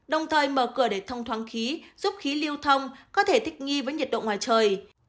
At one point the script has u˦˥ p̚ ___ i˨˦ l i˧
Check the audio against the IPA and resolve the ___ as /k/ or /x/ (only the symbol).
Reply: x